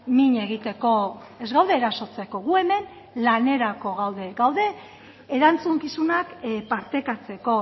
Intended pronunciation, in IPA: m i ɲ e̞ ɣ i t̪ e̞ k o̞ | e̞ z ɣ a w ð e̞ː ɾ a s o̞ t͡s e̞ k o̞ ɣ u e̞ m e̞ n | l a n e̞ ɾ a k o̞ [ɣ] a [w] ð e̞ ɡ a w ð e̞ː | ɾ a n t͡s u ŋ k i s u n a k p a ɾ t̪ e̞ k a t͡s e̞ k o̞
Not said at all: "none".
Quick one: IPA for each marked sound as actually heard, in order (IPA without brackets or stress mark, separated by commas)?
ɣ, w